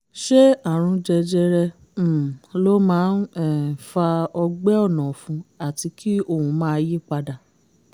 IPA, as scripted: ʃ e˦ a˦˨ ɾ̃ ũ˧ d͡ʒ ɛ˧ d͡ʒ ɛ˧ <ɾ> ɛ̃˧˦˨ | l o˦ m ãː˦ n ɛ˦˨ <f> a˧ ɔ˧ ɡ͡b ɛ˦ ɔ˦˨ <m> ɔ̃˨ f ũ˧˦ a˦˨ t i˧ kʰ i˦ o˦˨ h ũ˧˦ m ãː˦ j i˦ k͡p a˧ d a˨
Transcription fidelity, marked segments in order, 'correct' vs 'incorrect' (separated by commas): correct, correct, incorrect